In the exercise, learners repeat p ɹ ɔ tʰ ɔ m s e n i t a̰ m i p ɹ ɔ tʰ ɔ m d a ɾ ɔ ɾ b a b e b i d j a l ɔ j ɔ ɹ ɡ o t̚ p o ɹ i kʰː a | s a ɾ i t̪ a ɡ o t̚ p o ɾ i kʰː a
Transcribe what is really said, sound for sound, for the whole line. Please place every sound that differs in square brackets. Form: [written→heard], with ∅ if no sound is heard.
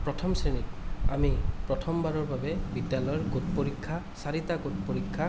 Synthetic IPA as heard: p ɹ ɔ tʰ ɔ m s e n i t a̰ m i p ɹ ɔ tʰ ɔ m [d→b] a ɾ ɔ [ɾ→ɹ] b a b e b i d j a l ɔ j ɔ ɹ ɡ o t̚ p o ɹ i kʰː a | s a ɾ i t̪ a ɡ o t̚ p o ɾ i kʰː a

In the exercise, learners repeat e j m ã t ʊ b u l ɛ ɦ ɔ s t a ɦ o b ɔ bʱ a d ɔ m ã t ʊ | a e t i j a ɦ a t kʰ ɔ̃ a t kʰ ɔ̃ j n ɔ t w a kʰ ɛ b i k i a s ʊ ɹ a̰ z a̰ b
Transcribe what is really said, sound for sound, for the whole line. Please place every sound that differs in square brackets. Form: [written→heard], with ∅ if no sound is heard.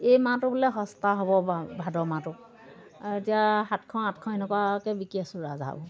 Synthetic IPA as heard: e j m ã t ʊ b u l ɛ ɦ ɔ s t a ɦ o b ɔ bʱ a d ɔ m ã t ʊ | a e t i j a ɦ a t kʰ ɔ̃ a t kʰ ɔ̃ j n ɔ [t→k] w a [kʰ→k] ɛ b i k i a s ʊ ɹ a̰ z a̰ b

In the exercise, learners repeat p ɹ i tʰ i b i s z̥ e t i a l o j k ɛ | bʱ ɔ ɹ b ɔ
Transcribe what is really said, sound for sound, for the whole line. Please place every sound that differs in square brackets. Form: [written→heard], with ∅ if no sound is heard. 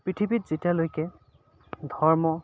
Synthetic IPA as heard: p ɹ i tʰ i b i [s→t] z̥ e t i a l o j k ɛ | [bʱ→dʱ] ɔ ɹ [b→m] ɔ

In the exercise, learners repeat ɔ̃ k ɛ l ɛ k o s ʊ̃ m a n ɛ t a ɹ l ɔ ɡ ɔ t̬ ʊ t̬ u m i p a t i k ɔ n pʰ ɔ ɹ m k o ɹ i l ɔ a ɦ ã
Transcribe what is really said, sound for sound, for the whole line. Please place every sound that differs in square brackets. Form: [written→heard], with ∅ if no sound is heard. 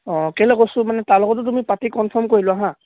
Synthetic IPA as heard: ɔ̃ k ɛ l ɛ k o s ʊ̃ m a n ɛ t a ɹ l ɔ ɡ ɔ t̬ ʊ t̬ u m i p a t i k ɔ n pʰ ɔ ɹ m k o ɹ i l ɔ a ɦ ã

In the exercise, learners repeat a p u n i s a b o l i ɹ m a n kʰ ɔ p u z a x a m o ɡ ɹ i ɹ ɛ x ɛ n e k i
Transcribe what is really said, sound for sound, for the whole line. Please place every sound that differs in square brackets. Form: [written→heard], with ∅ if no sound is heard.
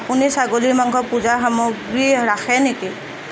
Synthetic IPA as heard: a p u n i s a [b→ɡ] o l i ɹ m a [n→ŋ] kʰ ɔ p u z a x a m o ɡ ɹ i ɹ [ɛ→a] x ɛ n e k i

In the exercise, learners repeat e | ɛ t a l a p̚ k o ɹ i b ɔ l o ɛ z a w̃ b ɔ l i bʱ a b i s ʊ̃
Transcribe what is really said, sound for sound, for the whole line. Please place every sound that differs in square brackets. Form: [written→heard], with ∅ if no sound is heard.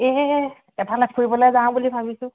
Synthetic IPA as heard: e | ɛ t a l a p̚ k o ɹ i b ɔ l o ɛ z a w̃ b [ɔ→u] l i bʱ a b i s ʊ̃

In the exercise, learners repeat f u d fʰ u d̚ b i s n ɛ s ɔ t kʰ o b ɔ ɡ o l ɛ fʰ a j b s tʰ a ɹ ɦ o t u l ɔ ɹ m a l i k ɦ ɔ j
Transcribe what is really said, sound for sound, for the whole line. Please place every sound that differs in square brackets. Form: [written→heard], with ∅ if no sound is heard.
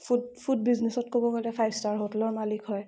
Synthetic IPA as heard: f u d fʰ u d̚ b i [s→z] n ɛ s ɔ t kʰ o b ɔ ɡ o l ɛ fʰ a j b s [tʰ→t] a ɹ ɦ o t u l ɔ ɹ m a l i k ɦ ɔ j

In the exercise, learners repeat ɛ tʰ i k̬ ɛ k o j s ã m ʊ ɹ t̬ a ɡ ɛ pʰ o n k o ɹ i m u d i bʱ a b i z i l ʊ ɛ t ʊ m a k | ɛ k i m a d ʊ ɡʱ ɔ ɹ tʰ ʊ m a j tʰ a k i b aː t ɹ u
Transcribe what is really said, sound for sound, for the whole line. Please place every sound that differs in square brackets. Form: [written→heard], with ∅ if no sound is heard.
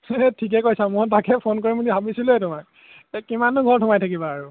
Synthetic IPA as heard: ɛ tʰ i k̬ ɛ k o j s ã m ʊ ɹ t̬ a [ɡ→k] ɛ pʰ o n k o ɹ i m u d i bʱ a b i [z→s] i l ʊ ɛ t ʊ m a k | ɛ k i m a [d→n] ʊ ɡʱ ɔ ɹ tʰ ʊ m a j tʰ a k i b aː [t→∅] ɹ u

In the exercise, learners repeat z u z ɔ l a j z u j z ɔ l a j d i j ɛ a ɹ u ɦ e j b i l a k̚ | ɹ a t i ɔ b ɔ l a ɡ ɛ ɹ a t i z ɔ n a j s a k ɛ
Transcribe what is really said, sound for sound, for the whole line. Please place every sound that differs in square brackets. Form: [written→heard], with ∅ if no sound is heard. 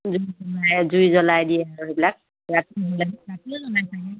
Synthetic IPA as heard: z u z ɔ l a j z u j z ɔ l a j d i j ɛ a ɹ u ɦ e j b i l a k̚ | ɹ a t i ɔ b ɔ l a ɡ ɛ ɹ a t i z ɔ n a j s a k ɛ

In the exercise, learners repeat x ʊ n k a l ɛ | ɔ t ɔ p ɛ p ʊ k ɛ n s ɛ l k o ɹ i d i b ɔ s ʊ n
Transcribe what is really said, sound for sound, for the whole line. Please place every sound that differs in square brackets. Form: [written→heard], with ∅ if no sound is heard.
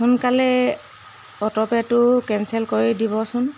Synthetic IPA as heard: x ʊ n k a l ɛ | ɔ t ɔ p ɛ [p→t] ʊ k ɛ n s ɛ l k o ɹ i d i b ɔ s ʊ n

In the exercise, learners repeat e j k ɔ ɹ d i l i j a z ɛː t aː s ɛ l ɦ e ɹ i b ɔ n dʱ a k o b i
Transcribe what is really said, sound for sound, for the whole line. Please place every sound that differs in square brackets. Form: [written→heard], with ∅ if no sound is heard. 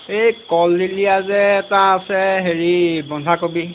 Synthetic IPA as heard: e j k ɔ [ɹ→l] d i l i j a z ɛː t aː s ɛ [l→∅] ɦ e ɹ i b ɔ n dʱ a k o b i

